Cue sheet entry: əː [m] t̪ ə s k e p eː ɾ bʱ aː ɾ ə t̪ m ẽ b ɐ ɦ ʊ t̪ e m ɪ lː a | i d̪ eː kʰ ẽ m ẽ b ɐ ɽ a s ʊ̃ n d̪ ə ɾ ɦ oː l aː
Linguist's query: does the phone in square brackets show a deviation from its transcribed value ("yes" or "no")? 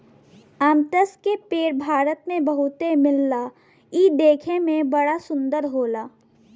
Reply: no